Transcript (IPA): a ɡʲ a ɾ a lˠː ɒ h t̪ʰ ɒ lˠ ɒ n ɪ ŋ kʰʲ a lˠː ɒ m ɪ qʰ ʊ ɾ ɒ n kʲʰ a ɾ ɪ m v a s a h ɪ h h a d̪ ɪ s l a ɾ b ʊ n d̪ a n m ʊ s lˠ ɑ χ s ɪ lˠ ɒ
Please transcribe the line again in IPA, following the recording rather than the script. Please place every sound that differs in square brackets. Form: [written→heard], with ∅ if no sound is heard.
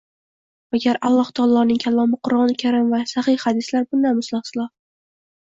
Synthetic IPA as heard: a ɡʲ a ɾ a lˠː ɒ h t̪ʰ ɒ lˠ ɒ n ɪ ŋ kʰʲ a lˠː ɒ m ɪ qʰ ʊ ɾ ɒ n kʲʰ a ɾ ɪ m v a s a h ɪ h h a d̪ ɪ s l a ɾ b ʊ n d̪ a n m ʊ s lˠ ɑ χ s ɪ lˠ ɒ